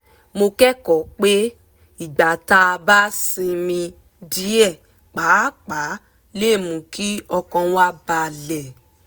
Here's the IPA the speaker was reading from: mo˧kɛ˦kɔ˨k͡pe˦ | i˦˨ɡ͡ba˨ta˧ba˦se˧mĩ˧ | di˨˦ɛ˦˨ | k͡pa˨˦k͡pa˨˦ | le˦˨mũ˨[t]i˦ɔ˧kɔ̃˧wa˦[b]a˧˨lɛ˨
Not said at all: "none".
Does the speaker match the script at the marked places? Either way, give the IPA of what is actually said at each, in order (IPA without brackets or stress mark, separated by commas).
k, b